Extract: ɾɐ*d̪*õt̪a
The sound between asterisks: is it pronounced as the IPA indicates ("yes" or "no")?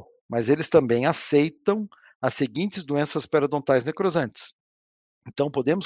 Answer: yes